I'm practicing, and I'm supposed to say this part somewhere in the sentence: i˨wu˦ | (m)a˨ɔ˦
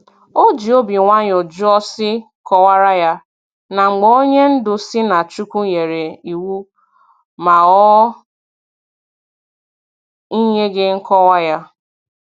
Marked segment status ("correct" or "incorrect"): correct